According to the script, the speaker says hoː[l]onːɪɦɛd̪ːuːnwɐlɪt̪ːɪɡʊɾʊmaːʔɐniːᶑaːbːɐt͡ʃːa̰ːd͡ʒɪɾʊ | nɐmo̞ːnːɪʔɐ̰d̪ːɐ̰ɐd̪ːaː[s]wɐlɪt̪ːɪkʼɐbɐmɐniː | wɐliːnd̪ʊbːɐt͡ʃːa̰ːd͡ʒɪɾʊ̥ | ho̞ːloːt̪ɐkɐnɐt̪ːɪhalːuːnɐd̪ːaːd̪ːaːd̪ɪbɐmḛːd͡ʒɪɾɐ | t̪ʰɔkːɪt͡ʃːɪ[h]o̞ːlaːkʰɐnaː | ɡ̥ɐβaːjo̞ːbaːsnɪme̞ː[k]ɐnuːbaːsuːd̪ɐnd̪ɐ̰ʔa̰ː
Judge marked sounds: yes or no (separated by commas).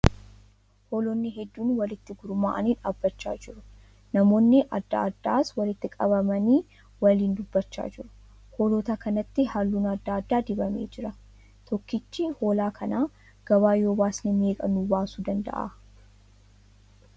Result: yes, yes, yes, no